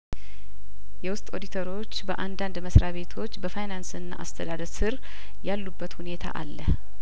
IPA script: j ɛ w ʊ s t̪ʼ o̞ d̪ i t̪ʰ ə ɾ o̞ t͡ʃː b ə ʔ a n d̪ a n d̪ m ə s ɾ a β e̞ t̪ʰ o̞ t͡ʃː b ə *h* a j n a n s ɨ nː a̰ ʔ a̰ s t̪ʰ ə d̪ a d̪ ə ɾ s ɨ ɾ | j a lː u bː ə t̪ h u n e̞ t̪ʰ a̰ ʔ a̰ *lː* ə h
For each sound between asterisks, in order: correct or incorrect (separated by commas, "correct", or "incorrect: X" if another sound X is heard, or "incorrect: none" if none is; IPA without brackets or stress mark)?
incorrect: f, correct